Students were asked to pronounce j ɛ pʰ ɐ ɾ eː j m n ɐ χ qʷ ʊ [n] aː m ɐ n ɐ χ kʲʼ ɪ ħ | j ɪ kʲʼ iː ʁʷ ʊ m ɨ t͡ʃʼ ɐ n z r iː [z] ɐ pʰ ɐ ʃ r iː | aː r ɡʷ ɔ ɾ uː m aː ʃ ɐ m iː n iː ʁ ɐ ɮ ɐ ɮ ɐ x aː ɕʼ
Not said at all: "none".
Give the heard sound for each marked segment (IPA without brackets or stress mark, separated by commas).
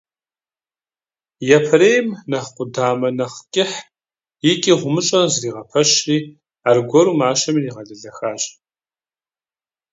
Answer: d, ʁ